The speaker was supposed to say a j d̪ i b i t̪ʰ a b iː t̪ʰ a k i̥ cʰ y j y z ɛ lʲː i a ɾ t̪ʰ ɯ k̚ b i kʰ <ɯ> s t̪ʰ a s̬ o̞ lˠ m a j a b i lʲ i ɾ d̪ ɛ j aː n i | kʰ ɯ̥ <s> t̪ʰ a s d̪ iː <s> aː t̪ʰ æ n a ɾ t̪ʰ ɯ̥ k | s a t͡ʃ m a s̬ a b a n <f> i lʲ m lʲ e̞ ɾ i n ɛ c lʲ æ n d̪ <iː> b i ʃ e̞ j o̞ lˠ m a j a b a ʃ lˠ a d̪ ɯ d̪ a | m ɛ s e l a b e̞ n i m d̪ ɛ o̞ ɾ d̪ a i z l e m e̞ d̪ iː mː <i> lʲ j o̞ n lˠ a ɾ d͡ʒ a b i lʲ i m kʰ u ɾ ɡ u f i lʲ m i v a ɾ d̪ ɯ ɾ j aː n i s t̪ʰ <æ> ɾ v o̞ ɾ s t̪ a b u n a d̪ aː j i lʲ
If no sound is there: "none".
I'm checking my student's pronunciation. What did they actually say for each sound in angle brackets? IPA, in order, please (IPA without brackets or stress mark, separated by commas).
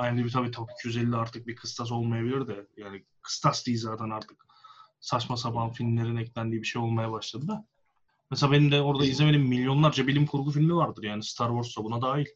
ɯ, s, z, f, iː, i, a